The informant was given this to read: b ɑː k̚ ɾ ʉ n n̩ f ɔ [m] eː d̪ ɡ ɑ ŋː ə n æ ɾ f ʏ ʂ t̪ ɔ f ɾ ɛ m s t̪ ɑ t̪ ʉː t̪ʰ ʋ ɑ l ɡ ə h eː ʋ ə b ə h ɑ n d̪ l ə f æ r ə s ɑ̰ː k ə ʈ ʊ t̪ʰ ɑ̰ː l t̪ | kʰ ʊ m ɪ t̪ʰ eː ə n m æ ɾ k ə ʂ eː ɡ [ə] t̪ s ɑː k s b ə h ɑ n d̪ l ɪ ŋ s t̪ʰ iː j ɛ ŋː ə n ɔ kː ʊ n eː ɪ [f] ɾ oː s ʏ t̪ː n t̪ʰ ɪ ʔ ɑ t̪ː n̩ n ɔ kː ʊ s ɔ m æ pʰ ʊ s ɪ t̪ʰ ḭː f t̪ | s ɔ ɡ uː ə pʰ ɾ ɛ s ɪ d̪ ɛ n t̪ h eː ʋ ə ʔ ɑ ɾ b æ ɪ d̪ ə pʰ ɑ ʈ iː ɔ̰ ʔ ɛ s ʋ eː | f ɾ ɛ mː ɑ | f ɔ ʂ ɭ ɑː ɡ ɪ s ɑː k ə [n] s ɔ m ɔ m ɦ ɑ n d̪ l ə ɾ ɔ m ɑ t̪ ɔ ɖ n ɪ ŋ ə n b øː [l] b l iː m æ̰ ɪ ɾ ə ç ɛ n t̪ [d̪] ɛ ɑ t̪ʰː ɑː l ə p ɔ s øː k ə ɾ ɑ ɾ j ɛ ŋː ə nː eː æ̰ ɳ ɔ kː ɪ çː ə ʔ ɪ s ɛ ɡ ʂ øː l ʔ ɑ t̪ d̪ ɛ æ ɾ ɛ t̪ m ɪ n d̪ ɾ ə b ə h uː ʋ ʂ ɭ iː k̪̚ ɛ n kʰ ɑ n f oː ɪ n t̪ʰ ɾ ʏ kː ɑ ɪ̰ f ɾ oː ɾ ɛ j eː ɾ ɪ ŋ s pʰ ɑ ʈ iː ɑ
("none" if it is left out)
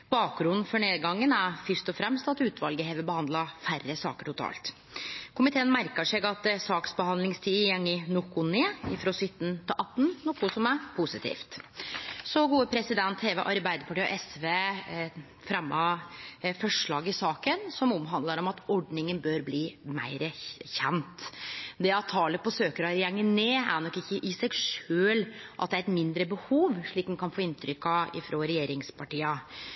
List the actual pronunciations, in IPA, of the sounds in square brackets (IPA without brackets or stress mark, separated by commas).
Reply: ɳ, ɑ, f, n, ɾ, d̪